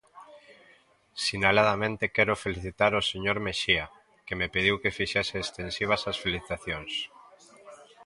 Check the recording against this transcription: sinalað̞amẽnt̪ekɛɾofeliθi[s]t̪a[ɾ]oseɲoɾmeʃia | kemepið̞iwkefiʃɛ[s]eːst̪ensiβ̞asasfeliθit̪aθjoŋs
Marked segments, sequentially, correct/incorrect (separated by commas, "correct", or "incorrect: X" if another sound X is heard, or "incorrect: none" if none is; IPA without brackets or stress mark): incorrect: none, correct, correct